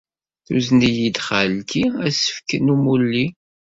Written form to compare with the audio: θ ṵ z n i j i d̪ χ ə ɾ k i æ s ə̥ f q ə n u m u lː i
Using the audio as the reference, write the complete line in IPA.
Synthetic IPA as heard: θ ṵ z n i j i d̪ χ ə l k i æ s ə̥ f k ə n u m u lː i